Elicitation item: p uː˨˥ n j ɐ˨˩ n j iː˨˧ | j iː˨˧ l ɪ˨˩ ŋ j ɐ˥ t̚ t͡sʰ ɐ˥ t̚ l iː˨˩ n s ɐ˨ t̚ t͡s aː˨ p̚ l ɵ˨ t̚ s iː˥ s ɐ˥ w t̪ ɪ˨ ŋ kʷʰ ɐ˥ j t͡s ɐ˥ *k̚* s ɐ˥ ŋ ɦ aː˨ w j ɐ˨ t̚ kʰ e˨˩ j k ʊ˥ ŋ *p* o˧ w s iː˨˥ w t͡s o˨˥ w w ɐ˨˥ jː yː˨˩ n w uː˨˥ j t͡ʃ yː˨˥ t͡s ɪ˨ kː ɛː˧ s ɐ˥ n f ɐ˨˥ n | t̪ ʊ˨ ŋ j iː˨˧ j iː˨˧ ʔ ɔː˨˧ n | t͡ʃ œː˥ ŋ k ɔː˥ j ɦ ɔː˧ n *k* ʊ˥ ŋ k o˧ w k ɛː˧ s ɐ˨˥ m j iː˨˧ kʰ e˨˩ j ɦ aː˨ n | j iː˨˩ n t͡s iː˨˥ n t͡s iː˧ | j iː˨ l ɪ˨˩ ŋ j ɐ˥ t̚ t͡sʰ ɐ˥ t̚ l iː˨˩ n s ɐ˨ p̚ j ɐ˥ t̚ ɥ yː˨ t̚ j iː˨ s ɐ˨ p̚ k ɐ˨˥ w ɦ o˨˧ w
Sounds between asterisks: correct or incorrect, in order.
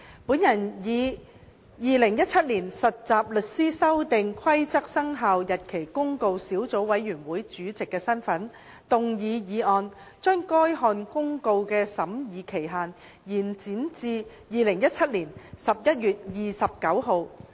correct, incorrect, correct

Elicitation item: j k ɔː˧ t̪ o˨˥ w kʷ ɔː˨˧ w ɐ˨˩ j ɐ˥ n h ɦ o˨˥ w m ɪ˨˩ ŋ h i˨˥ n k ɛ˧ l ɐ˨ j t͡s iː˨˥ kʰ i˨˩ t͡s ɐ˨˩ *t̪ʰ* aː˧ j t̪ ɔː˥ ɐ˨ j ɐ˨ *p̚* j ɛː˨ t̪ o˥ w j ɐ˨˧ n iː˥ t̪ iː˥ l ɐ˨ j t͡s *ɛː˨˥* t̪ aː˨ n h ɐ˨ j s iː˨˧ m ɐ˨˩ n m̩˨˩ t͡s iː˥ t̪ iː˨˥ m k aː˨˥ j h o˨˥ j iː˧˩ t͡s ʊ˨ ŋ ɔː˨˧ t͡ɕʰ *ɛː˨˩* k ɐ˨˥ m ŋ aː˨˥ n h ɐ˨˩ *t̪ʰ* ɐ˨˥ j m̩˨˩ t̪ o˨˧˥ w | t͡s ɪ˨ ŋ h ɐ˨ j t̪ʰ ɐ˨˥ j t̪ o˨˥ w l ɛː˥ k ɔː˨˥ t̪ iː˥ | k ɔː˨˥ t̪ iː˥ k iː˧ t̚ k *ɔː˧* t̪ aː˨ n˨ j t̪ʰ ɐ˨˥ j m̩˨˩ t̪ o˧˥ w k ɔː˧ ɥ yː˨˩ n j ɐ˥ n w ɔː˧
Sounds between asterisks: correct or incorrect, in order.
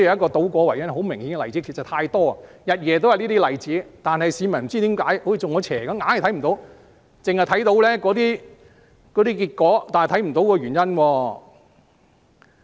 correct, incorrect, incorrect, correct, correct, incorrect

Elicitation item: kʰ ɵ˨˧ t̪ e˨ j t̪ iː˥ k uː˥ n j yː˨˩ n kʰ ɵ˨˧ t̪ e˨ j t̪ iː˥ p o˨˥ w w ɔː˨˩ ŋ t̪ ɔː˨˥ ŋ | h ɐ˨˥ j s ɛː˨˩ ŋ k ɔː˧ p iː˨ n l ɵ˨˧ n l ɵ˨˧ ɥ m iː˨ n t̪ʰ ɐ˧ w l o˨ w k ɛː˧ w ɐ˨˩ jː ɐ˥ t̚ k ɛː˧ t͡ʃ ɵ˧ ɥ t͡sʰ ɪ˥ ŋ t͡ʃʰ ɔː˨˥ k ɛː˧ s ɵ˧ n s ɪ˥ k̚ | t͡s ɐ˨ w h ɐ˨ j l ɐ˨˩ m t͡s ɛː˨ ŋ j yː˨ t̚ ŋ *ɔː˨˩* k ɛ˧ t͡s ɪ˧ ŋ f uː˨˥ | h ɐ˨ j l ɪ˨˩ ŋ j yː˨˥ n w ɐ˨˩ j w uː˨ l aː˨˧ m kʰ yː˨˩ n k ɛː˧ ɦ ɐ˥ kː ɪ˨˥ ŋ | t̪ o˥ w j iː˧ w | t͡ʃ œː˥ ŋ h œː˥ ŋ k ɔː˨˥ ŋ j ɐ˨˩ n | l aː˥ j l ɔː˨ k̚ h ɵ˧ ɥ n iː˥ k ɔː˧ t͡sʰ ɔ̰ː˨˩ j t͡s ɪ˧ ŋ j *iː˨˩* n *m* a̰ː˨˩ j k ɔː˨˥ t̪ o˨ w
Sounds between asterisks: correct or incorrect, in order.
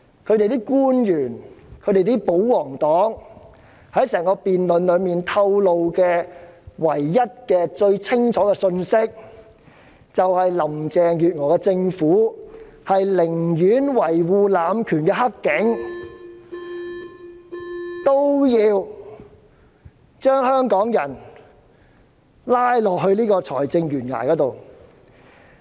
correct, incorrect, incorrect

